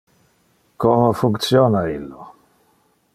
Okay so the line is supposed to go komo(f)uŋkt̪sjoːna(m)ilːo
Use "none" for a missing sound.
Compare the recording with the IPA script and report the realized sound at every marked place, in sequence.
f, none

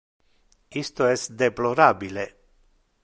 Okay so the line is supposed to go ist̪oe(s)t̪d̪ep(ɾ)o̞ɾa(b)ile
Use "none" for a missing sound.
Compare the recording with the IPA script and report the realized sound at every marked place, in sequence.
s, l, b

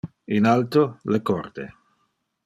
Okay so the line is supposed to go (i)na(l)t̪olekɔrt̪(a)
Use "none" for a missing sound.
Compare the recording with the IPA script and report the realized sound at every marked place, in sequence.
i, l, e

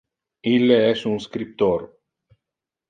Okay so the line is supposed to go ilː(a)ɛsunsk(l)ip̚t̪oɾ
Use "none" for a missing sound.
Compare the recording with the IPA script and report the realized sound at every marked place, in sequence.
e, ɾ

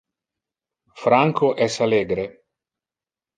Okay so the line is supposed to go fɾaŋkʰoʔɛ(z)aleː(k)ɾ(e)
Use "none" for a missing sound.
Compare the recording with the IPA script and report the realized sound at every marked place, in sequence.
s, ɡ, e

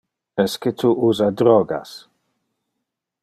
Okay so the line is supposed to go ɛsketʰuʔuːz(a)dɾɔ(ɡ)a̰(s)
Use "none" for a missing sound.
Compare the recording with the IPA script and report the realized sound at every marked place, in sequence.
a, ɡ, s

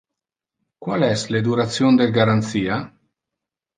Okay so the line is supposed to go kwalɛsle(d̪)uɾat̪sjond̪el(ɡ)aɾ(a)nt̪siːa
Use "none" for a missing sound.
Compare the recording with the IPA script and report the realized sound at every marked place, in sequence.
d̪, ɡ, a

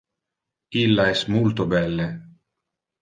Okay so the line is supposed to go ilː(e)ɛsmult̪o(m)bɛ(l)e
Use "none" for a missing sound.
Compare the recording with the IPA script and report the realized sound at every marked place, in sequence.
a, none, lː

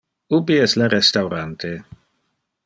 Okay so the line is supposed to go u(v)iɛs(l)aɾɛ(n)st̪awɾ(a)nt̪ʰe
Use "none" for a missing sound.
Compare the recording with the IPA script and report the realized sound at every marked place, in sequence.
b, l, none, a

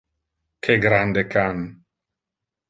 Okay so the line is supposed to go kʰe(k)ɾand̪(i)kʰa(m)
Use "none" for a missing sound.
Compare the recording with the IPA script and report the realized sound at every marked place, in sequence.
ɡ, e, n

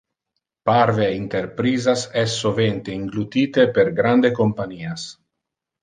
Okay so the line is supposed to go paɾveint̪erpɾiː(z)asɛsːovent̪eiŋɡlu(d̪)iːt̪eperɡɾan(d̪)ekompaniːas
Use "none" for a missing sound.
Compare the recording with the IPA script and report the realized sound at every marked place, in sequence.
z, t̪, d̪

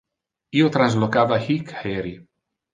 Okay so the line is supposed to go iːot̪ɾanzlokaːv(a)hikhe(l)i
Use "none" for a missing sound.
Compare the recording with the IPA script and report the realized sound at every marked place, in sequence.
a, ɾ

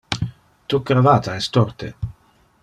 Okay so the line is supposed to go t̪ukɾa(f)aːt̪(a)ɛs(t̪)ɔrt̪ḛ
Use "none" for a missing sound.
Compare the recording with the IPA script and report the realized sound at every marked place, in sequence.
v, a, t̪

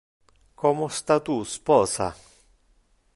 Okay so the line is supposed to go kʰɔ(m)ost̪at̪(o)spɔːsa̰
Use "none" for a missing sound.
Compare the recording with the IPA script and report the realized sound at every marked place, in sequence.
m, u

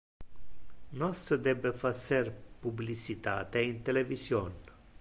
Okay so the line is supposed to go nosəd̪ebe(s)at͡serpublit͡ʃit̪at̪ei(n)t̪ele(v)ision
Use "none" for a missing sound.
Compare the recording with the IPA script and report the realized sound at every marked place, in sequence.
f, n, v

